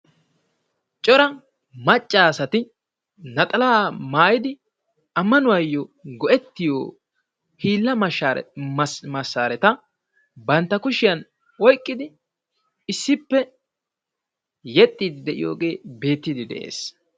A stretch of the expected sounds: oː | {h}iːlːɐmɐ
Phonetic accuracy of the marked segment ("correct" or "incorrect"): correct